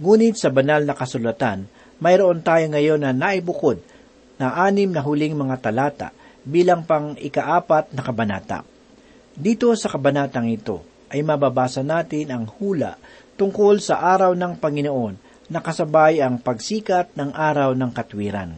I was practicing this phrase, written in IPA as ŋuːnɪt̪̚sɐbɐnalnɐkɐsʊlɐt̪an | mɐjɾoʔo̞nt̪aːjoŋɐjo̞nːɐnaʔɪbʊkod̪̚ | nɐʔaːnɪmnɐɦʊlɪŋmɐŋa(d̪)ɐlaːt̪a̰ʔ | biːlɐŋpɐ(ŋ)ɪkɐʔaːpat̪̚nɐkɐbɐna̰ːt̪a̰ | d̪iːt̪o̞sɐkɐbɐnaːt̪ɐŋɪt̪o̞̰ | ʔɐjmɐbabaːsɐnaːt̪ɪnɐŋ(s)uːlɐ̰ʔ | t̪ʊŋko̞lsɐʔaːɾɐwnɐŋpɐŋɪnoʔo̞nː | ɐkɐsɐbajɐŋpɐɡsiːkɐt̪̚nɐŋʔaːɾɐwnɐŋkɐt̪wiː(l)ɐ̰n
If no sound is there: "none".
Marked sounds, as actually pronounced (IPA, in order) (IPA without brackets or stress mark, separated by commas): t̪, ŋ, h, ɾ